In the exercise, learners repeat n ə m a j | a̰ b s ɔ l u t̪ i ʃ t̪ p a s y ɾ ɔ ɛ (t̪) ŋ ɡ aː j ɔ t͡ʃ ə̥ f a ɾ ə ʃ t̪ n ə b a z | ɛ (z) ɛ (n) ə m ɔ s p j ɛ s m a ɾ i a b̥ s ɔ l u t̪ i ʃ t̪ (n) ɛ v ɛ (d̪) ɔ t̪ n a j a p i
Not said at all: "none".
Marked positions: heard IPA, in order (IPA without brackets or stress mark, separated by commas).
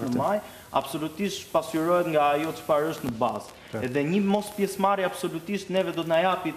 t̪, ð, ɲ, n, d̪